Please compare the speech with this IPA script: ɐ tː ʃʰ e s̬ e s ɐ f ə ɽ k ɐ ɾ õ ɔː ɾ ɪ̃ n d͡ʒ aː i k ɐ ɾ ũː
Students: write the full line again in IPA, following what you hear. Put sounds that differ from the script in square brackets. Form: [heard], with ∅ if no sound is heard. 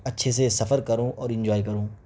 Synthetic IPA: ɐ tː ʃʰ e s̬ e s ɐ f ə [ɾ] k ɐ ɾ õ ɔː ɾ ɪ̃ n d͡ʒ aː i k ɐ ɾ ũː